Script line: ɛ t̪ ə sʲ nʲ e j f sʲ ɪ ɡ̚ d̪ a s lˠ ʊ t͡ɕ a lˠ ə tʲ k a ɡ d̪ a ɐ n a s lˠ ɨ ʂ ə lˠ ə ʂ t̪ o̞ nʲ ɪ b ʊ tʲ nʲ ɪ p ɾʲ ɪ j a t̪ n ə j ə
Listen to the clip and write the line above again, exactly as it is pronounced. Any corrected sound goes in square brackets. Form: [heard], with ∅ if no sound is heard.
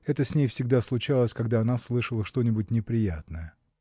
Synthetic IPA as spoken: ɛ t̪ ə sʲ nʲ e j f sʲ ɪ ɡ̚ d̪ a s lˠ ʊ t͡ɕ a lˠ ə [sʲ] k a ɡ d̪ a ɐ n a s lˠ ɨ ʂ ə lˠ ə ʂ t̪ o̞ nʲ ɪ b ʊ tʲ nʲ ɪ p ɾʲ ɪ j a t̪ n ə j ə